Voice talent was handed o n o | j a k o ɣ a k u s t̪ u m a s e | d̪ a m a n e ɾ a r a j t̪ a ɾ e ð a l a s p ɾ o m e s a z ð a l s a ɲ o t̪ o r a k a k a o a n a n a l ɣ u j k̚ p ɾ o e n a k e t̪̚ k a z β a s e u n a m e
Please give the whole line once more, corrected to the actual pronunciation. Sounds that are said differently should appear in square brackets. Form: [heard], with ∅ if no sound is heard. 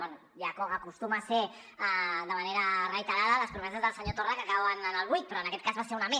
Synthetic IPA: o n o | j a k o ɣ a k u s t̪ u m a s e | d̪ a m a n e ɾ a r a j t̪ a ɾ [a] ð a l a s p ɾ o m e s a z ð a l s a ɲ o t̪ o r a k a k a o a n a n a l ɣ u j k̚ p ɾ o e n a k e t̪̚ k a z β a s e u n a m e